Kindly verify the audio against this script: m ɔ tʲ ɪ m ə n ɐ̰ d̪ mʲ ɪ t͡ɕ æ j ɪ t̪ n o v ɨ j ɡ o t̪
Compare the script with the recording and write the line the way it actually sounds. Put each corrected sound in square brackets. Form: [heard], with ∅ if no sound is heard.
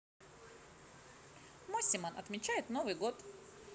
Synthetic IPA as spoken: m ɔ [sʲ] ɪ m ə n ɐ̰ [t̪] mʲ ɪ t͡ɕ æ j ɪ t̪ n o v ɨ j ɡ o t̪